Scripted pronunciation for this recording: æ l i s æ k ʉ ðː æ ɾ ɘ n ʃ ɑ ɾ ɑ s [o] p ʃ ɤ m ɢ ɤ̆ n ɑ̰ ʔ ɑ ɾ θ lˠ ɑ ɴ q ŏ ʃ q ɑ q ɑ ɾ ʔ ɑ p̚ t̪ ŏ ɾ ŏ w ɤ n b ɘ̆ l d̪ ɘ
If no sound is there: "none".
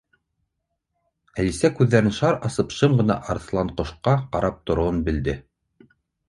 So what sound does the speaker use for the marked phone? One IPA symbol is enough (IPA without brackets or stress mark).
ɤ